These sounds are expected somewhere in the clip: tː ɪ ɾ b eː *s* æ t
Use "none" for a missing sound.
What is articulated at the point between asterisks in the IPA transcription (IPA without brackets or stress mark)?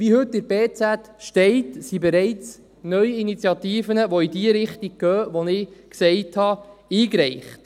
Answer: t͡s